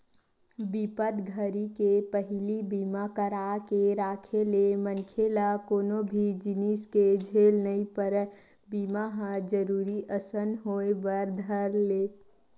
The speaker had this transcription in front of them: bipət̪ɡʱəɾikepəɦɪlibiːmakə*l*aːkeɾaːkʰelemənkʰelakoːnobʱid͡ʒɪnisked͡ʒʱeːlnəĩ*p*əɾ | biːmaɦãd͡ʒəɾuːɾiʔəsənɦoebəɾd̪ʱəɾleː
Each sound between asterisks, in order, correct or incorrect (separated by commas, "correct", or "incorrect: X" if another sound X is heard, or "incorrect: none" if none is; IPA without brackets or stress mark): incorrect: ɾ, correct